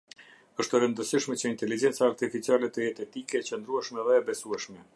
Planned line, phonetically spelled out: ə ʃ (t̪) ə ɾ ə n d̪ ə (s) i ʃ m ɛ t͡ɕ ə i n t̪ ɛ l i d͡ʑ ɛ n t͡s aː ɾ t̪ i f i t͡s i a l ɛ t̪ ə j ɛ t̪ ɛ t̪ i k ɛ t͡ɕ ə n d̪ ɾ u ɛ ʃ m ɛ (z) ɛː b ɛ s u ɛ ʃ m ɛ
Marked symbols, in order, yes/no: yes, yes, no

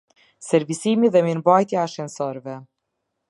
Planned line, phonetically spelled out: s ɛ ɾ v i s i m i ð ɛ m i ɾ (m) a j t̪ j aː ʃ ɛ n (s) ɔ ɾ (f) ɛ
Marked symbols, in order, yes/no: no, yes, no

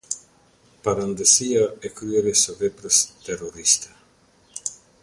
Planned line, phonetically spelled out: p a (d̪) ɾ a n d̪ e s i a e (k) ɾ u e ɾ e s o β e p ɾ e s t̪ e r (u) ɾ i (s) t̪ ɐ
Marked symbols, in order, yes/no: no, yes, no, yes

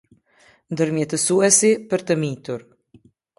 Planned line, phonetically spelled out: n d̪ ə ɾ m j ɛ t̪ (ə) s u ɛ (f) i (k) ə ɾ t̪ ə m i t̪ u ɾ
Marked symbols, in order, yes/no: yes, no, no

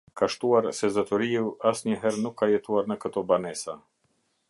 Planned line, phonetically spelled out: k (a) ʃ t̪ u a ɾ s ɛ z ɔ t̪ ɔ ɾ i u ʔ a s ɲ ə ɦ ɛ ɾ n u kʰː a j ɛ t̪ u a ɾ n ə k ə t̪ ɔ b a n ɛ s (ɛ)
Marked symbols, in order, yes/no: yes, no

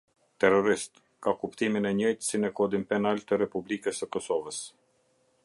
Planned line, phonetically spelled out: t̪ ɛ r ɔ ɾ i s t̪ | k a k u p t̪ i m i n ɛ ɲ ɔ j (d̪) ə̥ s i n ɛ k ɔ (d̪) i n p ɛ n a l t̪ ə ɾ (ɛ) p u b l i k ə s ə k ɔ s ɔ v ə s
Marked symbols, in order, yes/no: no, yes, yes

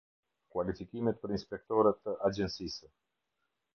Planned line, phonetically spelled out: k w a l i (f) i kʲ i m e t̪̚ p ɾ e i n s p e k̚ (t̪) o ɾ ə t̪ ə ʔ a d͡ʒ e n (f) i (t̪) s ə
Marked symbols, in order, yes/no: yes, yes, no, no

